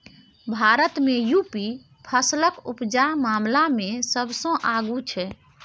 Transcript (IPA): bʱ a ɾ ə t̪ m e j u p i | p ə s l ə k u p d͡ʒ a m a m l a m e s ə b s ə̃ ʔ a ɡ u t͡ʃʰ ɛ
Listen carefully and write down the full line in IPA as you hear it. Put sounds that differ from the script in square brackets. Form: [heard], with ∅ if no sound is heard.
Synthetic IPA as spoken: bʱ a ɾ ə t̪ m e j u p i | [pʰ] ə s l ə k u p d͡ʒ a m a m l a m e s ə b s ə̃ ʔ a ɡ u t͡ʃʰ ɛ

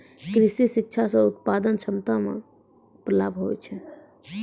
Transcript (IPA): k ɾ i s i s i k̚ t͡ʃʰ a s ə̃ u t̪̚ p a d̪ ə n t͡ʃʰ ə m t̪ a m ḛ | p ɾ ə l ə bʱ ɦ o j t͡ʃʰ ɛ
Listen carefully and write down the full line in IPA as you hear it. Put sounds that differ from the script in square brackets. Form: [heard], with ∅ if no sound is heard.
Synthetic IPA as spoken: k ɾ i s i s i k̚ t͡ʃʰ a s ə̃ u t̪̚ p a d̪ ə n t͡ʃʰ ə m t̪ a m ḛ | p ɾ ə l [a] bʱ ɦ o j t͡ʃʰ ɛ

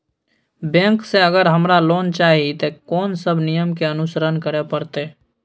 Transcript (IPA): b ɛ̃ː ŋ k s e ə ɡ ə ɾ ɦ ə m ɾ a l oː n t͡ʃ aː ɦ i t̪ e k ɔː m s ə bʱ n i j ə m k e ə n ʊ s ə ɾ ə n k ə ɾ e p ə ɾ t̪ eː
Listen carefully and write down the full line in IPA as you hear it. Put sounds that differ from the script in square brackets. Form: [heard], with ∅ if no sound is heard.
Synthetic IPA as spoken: b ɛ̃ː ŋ k s e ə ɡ ə ɾ ɦ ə m ɾ a l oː n t͡ʃ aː ɦ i t̪ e k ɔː [n] s ə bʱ n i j ə m k e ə n ʊ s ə ɾ ə n k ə ɾ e p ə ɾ t̪ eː

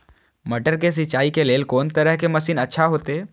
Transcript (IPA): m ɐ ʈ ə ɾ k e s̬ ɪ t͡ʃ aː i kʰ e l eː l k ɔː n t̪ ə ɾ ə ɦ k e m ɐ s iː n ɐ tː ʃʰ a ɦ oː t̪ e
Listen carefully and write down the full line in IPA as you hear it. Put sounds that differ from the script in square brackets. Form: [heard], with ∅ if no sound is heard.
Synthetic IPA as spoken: m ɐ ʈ ə ɾ k e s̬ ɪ t͡ʃ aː i [k] e l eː l k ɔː n t̪ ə ɾ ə ɦ k e m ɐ s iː n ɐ tː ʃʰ a ɦ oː t̪ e

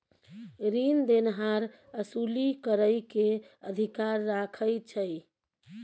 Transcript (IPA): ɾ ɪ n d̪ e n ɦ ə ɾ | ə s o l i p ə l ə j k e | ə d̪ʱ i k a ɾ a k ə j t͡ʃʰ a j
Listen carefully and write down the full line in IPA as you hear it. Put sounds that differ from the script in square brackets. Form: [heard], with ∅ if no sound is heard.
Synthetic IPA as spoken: ɾ [i] n d̪ e n ɦ [a] ɾ | ə s [u] l i [k] ə [ɾ] ə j k e | ə d̪ʱ i k a [ɾː] a [kʰ] ə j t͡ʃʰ [ə] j

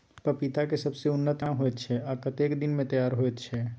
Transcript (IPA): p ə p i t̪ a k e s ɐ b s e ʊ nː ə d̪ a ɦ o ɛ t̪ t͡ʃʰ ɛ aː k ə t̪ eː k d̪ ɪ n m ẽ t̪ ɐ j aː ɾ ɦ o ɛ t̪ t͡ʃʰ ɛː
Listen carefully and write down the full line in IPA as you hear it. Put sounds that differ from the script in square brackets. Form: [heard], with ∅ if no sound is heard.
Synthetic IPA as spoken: p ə p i t̪ a k e s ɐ b s e ʊ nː ə [t̪] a ɦ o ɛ t̪ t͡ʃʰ ɛ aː k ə t̪ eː k d̪ ɪ n m ẽ t̪ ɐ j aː ɾ ɦ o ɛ t̪ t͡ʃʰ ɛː

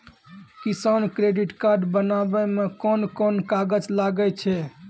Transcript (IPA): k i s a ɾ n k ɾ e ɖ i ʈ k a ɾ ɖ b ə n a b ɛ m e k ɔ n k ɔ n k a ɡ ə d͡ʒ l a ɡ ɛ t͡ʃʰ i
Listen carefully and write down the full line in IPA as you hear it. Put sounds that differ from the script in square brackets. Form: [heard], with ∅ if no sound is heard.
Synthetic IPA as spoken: k i s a [∅] n k ɾ e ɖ i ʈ k a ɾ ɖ b ə n a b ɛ m e k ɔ n k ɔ n k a ɡ ə d͡ʒ l a ɡ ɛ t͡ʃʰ [ɛ]

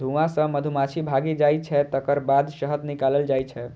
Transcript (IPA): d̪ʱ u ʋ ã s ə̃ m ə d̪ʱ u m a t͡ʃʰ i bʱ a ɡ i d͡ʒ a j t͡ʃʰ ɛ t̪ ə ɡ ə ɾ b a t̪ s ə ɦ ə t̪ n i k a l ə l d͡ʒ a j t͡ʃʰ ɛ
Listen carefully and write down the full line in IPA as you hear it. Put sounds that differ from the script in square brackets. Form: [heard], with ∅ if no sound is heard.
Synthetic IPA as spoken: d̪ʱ u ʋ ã s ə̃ m ə d̪ʱ u m a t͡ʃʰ i bʱ a ɡ i d͡ʒ a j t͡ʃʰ ɛ t̪ ə [k] ə ɾ b a [d̪] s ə ɦ ə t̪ n i k a l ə l d͡ʒ a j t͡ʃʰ ɛ

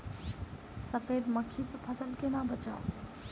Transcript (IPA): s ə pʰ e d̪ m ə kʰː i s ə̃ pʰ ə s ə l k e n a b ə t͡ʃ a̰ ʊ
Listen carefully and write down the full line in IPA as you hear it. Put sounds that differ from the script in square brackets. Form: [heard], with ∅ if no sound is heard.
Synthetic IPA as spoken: s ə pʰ e d̪ m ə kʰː i s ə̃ pʰ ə s ə l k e n a b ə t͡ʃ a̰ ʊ

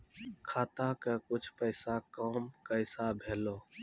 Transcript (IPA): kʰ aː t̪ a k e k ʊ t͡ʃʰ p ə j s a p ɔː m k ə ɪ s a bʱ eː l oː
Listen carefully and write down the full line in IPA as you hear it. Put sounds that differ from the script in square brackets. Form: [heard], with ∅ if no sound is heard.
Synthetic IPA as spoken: kʰ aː t̪ a k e k ʊ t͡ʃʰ p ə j s a [k] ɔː m k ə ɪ s a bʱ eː l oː

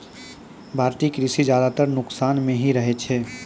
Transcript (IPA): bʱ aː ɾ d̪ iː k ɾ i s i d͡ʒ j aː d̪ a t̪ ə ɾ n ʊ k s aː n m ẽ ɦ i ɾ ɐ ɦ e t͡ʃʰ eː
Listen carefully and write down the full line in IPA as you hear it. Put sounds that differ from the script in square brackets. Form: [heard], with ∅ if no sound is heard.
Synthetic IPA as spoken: bʱ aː ɾ [t̪] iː k ɾ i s i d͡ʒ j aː d̪ a t̪ ə ɾ n ʊ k s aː n m ẽ ɦ i ɾ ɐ ɦ e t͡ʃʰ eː

